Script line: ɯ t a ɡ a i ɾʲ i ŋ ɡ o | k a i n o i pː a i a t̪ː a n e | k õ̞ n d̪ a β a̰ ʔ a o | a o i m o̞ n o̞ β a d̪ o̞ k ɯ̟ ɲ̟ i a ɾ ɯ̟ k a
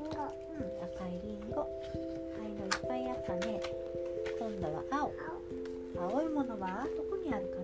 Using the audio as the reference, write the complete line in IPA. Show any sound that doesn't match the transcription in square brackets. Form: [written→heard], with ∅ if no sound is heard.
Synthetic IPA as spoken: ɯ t a [ɡ→k] a i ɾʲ i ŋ ɡ o | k a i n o i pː a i a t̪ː a n e | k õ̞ n d̪ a β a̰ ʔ a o | a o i m o̞ n o̞ β a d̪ o̞ k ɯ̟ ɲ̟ i a ɾ ɯ̟ k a